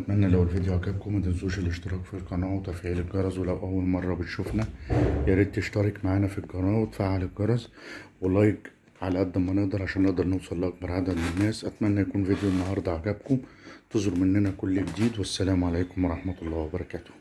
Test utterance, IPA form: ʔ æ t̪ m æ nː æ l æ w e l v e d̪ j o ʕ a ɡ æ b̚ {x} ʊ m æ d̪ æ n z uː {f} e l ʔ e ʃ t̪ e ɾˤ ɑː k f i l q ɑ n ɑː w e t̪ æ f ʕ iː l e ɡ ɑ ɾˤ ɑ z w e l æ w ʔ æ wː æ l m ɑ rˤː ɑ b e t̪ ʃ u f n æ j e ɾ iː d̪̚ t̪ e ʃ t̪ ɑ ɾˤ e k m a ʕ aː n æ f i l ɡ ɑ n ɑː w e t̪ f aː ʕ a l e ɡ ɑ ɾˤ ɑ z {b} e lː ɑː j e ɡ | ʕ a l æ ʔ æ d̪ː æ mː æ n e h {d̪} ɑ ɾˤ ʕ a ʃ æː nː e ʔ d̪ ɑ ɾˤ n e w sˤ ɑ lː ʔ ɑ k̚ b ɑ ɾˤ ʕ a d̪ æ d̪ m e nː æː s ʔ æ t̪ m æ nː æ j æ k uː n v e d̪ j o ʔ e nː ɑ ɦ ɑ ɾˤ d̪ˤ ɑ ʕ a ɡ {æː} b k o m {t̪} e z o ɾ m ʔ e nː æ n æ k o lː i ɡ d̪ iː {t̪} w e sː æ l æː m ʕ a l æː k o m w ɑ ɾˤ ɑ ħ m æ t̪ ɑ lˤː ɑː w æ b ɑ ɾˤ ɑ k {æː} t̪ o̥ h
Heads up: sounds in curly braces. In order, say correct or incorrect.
incorrect: k, incorrect: ʃ, incorrect: w, correct, incorrect: æ, correct, incorrect: d̪, correct

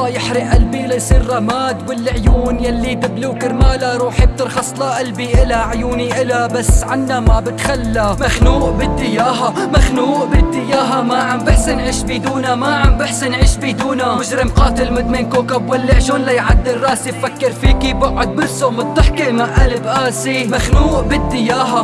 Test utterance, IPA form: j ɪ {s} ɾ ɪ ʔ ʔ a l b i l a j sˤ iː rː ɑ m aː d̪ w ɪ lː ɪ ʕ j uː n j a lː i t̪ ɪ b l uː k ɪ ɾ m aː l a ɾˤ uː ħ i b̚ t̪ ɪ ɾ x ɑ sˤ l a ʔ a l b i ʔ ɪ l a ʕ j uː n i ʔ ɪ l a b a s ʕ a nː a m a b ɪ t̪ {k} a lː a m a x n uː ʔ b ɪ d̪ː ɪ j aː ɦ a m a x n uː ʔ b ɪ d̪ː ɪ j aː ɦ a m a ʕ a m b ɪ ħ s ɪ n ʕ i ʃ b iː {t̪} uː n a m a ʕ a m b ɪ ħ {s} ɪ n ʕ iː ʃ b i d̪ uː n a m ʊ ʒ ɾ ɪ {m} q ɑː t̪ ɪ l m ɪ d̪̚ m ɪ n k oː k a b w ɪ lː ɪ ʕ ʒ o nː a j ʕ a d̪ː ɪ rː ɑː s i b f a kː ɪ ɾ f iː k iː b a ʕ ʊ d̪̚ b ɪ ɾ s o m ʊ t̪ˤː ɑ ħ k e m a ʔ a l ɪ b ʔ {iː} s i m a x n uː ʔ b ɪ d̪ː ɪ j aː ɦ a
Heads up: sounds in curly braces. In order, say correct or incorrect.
incorrect: ħ, incorrect: x, incorrect: d̪, correct, correct, incorrect: aː

